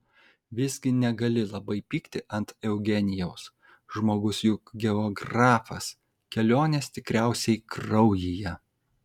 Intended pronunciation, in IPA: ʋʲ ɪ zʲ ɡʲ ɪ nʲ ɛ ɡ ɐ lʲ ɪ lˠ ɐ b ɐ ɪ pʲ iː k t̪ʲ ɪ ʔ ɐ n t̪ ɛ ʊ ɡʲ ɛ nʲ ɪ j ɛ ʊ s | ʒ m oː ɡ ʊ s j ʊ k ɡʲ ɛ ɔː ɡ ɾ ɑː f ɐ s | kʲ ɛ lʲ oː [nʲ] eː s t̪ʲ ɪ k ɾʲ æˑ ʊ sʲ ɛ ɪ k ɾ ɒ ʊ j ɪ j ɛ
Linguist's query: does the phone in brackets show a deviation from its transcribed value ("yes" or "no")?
no